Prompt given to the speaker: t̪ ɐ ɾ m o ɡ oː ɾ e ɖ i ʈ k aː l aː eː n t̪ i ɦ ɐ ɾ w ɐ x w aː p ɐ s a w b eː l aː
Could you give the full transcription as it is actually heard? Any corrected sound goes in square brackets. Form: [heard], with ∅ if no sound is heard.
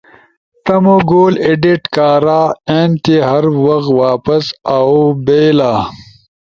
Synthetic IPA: t̪ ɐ [∅] m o ɡ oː [l] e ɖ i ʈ k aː [ɾ] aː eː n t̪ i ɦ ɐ ɾ w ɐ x w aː p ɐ s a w b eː l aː